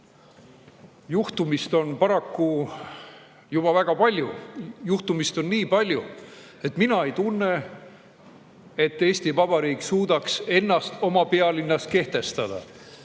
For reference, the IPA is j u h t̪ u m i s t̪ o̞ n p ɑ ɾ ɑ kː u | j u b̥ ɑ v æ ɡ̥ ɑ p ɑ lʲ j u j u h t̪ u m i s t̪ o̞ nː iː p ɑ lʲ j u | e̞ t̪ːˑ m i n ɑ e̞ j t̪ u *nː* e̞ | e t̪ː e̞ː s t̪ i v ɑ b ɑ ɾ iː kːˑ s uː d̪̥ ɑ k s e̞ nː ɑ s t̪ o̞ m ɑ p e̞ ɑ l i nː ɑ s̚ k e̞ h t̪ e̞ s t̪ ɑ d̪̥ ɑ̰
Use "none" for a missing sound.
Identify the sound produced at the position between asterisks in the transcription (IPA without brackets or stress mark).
nː